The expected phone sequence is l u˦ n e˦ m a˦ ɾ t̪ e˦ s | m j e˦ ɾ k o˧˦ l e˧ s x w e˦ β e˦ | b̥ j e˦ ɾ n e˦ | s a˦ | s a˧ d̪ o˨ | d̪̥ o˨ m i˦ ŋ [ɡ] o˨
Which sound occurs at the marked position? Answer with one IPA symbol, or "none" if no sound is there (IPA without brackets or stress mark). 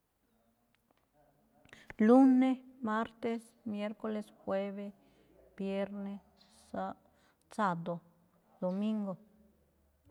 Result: ɡ